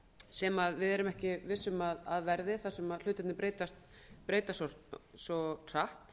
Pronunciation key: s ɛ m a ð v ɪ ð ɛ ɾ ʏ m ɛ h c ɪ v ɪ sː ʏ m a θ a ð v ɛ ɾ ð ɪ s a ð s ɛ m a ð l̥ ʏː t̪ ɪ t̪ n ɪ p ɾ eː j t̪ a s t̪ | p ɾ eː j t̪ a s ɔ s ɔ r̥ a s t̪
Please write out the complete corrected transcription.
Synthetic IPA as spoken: s ɛ m a ð v ɪ ð ɛ ɾ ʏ m ɛ h c ɪ v ɪ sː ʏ m a ð a ð v ɛ ɾ ð ɪ θ a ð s ɛ m a ð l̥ ʏː t̪ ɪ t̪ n ɪ p ɾ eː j t̪ a s t̪ | p ɾ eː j t̪ a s ɔ s ɔ r̥ a h t̪

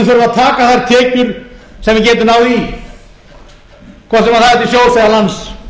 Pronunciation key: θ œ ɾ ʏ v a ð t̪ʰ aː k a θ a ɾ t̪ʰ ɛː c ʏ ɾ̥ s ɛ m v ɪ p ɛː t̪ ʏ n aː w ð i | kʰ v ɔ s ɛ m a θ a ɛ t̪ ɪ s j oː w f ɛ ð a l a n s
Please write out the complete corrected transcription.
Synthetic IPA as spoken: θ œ ɾ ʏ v a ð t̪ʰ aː k a θ a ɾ t̪ʰ ɛː c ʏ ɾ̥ s ɛ m v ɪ c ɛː t̪ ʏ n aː w ð i | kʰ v ɔ s ɛ m a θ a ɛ t̪ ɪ s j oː w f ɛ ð a l a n s

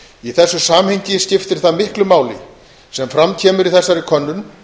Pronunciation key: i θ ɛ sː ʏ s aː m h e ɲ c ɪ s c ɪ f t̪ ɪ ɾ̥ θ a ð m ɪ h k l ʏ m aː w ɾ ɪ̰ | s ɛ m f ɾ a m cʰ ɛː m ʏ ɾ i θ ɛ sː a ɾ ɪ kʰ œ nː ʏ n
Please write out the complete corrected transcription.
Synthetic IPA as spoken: i θ ɛ sː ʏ s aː m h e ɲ c ɪ s c ɪ f t̪ ɪ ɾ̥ θ a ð m ɪ h k l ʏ m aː w l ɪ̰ | s ɛ m f ɾ a m cʰ ɛː m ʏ ɾ i θ ɛ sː a ɾ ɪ kʰ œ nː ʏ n

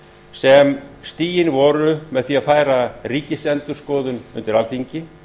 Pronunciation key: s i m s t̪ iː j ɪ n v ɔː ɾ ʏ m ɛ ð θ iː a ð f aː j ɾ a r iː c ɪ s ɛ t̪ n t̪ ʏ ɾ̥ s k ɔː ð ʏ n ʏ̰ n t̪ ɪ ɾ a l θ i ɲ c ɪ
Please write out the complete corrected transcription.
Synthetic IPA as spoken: s ɛ m s t̪ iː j ɪ n v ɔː ɾ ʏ m ɛ ð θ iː a ð f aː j ɾ a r iː c ɪ s ɛ n t̪ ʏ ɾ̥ s k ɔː ð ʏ n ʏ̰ n t̪ ɪ ɾ a l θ i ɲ c ɪ

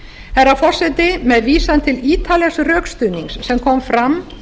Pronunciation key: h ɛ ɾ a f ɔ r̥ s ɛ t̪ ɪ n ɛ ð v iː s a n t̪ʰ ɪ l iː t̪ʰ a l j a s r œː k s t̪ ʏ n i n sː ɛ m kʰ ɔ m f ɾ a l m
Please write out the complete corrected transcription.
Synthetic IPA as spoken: h ɛ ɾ a f ɔ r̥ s ɛ t̪ ɪ m ɛ ð v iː s a n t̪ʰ ɪ l iː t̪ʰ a l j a s r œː k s t̪ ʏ n i ŋ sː ɛ m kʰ ɔ m f ɾ a m

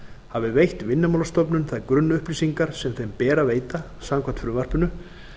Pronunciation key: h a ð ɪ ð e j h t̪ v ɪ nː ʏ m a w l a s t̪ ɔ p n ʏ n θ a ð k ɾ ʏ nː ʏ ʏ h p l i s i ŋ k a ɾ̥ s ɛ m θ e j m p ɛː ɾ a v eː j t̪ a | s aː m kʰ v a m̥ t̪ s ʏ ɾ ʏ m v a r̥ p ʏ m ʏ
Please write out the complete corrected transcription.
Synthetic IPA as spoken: h a v ɪ v e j h t̪ v ɪ nː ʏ m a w l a s t̪ ɔ p n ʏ n θ a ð k ɾ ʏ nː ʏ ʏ h p l i s i ŋ k a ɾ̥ s ɛ m θ e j m p ɛː ɾ a v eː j t̪ a | s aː m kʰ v a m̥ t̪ f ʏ ɾ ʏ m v a r̥ p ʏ n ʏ

